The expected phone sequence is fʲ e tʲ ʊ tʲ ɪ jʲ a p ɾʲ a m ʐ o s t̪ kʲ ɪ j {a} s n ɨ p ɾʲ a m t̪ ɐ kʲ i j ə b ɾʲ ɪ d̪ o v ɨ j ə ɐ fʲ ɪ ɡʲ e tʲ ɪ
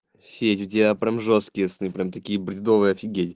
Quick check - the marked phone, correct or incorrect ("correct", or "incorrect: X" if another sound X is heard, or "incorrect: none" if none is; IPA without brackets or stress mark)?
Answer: incorrect: ə